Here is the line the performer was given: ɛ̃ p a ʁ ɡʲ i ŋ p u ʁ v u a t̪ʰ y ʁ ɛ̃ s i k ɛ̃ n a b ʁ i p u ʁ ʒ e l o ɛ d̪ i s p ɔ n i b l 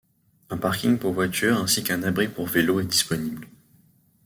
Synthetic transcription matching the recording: ɛ̃ p a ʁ kʲ i ŋ p u ʁ v w a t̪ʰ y ʁ ɛ̃ s i k ɛ̃ n a b ʁ i p u ʁ v e l o ɛ d̪ i s p ɔ n i b l